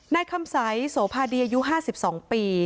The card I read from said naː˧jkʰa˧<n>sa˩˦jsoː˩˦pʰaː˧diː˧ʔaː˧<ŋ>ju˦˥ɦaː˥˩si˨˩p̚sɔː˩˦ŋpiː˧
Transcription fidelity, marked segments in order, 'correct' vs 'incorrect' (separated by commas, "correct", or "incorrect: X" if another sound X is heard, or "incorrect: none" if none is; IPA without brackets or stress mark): incorrect: m, incorrect: none